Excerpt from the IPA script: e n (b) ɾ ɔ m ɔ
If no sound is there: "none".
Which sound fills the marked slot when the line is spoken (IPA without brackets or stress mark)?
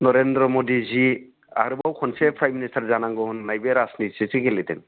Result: d